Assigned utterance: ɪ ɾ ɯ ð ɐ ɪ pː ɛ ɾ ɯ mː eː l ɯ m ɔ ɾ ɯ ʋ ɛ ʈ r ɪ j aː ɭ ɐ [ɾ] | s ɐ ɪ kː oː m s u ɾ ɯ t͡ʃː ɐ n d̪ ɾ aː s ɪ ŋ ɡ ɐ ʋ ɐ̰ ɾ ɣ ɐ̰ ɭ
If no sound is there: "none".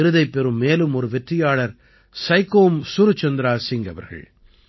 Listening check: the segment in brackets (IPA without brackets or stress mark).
ɾ